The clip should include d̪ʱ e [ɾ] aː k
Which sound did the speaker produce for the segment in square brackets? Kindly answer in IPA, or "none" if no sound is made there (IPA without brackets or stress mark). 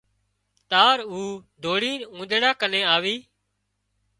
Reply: ɽ